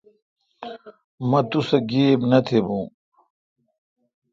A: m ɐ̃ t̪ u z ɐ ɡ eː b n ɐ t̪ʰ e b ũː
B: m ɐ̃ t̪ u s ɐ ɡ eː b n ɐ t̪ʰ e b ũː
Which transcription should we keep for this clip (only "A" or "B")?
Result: B